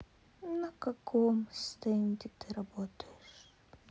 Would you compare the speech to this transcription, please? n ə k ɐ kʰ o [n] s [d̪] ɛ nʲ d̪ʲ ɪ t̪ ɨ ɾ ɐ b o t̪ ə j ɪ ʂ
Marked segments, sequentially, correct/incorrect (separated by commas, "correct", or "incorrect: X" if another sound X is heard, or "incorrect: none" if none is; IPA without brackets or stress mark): incorrect: m, incorrect: t̪